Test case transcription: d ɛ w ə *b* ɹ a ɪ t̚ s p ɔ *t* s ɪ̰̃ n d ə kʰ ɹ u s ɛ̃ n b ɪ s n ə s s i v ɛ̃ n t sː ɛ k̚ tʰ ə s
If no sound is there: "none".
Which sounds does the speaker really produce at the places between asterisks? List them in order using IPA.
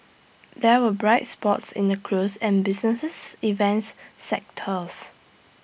b, t

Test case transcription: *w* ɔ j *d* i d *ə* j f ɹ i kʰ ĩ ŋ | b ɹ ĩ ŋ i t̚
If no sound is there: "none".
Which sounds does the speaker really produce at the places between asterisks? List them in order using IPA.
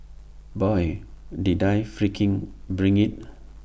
b, d, a

